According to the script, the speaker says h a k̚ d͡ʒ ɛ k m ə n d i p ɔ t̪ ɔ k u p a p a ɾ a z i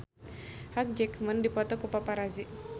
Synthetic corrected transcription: h a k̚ d͡ʒ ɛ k m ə n d i p ɔ t̪ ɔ k u p a p a ɾ a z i